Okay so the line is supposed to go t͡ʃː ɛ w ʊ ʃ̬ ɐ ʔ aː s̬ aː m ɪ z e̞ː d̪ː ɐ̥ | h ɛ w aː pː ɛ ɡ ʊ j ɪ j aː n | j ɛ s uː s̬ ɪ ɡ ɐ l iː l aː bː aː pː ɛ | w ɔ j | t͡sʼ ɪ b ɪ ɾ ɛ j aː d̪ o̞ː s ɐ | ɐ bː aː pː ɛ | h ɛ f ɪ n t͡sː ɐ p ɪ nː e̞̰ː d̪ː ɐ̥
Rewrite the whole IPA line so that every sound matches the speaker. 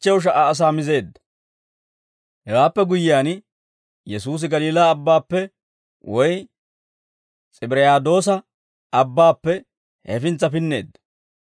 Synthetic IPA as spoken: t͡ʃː ɛ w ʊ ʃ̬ ɐ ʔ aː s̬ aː m ɪ z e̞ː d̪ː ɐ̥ | h ɛ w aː pː ɛ ɡ ʊ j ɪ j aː n | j ɛ s uː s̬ ɪ ɡ ɐ l iː l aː bː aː pː ɛ | w ɔ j | t͡sʼ ɪ b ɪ ɾ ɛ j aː d̪ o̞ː s ɐ | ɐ bː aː pː ɛ | h ɛ f ɪ n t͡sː ɐ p ɪ nː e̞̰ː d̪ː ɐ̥